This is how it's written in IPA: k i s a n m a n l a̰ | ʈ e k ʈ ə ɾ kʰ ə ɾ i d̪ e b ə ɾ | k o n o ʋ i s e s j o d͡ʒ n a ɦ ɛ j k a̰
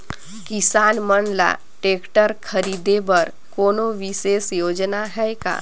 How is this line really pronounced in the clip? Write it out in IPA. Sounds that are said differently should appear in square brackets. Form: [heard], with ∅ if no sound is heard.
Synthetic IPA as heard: k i s a n m [ə] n l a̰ | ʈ e k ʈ ə ɾ kʰ ə ɾ i d̪ e b ə ɾ | k o n o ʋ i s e s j o d͡ʒ n a ɦ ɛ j k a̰